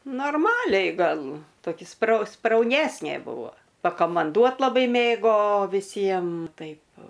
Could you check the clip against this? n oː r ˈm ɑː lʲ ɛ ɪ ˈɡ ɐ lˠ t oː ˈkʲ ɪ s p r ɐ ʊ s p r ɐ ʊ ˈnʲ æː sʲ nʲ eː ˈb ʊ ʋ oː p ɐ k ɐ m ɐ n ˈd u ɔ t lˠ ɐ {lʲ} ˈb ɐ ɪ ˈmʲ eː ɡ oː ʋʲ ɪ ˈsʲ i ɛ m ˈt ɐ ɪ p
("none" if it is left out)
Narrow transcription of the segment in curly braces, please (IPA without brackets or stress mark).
none